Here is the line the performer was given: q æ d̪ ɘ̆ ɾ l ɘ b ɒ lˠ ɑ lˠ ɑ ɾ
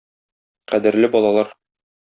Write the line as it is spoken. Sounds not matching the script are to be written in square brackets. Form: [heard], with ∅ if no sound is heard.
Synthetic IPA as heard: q æ d̪ ɘ̆ ɾ l ɘ b ɒ lˠ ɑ lˠ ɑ ɾ